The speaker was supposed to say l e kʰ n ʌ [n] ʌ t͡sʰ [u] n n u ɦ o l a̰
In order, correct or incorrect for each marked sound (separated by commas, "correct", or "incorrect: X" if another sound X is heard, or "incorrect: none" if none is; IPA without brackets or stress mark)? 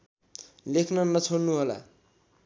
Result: correct, incorrect: o